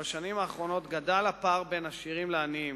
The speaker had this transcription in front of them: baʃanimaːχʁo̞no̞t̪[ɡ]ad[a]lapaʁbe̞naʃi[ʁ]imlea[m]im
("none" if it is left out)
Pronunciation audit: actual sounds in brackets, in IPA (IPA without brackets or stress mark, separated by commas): ɡ, a, ʁ, n